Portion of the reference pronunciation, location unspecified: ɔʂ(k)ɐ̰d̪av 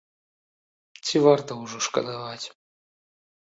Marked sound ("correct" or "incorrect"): correct